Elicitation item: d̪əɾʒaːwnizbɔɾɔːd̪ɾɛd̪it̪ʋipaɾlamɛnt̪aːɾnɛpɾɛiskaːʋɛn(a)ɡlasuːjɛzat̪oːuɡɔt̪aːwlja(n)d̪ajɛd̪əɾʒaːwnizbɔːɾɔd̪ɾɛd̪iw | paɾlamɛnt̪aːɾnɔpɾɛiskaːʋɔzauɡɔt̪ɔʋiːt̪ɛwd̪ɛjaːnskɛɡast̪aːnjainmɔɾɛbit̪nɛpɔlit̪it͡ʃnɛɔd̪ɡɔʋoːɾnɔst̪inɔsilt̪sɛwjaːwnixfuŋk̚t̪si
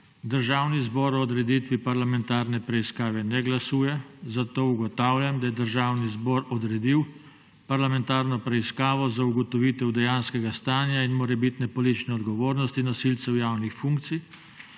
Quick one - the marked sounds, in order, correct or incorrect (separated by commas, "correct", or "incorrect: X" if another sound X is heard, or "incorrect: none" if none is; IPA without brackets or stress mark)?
incorrect: ɛ, incorrect: m